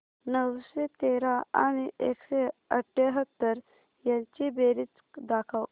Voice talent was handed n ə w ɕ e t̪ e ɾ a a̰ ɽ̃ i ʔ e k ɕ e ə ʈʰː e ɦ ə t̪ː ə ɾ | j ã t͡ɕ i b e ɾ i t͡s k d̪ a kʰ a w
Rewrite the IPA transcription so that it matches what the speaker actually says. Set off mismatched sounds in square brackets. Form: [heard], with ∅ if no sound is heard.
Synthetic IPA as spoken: n ə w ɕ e t̪ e ɾ a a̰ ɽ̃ i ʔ e k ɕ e ə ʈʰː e ɦ ə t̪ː ə ɾ | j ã t͡ɕ i b e ɾ i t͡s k d̪ a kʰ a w